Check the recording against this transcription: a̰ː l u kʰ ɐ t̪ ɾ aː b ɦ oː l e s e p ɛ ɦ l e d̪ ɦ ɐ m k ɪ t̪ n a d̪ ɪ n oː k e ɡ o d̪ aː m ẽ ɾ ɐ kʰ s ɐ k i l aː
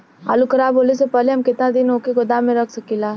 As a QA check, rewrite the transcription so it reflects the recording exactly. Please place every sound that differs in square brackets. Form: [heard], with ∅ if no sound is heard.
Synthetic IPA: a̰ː l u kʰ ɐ [∅] ɾ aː b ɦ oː l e s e p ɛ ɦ l e [∅] ɦ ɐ m k ɪ t̪ n a d̪ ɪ n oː k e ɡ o d̪ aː m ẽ ɾ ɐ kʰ s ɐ k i l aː